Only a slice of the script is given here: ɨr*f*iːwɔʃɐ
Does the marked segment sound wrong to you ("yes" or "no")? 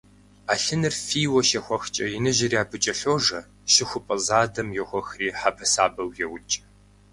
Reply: no